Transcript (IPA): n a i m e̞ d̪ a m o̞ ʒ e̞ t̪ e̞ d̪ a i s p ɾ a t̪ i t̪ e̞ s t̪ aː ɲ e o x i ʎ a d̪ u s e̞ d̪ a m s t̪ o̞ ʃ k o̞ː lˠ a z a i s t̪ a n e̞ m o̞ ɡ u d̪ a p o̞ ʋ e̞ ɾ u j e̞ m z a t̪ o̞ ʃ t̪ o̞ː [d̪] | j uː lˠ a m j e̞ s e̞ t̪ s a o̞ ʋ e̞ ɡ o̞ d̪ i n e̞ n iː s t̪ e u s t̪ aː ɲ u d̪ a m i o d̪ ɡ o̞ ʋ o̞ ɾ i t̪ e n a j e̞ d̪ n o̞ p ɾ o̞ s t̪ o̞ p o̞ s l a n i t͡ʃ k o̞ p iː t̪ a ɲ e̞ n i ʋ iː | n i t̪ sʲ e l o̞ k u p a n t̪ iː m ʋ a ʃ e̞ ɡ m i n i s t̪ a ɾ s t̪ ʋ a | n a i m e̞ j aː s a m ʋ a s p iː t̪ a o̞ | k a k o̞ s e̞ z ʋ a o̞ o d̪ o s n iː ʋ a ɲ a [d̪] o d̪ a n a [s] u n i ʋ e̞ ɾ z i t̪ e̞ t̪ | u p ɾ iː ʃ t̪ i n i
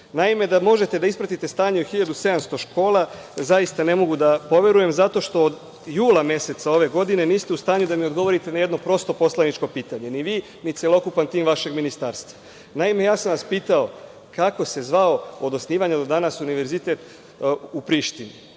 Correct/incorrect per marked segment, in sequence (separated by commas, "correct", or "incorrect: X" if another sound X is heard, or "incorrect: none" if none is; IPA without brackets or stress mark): correct, correct, correct